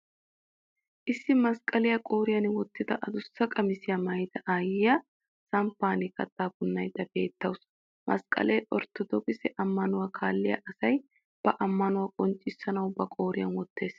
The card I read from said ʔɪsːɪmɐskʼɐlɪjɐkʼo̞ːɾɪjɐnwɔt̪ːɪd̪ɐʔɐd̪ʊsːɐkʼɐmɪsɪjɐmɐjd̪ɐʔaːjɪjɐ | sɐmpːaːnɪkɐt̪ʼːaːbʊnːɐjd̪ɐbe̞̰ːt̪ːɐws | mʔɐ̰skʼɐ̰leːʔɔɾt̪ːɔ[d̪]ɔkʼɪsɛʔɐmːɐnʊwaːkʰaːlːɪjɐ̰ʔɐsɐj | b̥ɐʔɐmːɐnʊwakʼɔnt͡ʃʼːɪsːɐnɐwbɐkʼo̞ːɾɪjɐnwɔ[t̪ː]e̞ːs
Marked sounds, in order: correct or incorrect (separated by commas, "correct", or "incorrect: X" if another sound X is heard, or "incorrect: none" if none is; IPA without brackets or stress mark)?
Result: correct, correct